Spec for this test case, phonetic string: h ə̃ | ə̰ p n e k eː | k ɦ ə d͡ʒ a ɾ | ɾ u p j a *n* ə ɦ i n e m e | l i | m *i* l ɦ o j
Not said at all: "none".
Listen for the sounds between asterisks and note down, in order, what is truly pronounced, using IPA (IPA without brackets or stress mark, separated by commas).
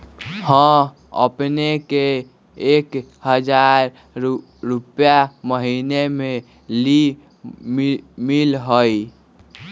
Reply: m, i